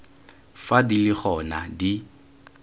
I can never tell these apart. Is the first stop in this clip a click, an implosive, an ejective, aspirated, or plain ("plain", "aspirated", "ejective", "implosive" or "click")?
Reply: plain